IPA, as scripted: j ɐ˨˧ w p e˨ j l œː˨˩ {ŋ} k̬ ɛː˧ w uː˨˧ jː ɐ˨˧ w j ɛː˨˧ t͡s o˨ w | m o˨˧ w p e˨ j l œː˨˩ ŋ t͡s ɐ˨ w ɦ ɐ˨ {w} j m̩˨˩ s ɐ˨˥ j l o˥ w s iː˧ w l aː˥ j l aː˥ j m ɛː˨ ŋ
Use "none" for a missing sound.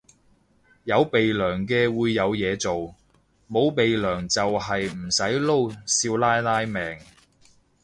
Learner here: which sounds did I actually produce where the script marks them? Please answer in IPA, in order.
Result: ŋ, none

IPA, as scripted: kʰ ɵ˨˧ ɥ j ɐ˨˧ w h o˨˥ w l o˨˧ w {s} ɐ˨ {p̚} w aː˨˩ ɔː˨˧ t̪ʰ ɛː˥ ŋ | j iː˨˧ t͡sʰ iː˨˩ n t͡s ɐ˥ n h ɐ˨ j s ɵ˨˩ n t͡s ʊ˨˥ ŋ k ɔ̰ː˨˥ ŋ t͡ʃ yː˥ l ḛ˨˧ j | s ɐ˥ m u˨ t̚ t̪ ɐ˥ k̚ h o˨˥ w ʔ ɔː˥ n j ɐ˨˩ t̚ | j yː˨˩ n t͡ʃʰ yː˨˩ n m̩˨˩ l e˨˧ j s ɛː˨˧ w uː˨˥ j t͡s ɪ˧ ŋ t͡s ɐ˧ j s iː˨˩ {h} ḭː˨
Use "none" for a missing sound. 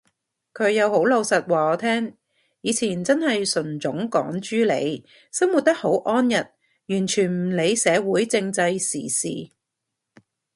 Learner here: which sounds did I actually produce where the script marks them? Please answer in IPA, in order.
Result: s, t̚, s

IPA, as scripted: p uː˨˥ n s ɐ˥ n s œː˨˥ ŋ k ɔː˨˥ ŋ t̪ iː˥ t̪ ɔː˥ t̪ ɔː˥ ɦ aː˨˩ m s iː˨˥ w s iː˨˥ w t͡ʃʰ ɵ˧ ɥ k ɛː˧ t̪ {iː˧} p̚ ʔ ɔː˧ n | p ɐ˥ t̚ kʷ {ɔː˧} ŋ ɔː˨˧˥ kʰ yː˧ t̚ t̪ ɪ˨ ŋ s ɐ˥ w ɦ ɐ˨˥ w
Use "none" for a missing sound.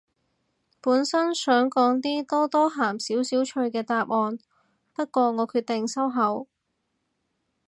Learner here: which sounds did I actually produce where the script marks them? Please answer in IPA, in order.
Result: aː˧, ɔː˧

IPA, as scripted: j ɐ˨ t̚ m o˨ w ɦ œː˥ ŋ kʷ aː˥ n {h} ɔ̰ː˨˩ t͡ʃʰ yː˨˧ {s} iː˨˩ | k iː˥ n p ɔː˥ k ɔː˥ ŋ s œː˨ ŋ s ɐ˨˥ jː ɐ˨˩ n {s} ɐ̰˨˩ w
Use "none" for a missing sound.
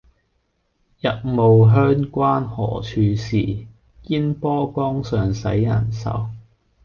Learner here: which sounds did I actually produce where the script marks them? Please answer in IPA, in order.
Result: h, s, s

